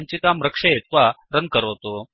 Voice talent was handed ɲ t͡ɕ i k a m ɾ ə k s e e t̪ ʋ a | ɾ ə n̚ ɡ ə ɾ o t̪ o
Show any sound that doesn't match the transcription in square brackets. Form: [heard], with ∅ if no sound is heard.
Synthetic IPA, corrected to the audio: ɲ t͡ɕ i k a m ɾ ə k [ʂ] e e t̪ ʋ a | ɾ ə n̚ [k] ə ɾ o t̪ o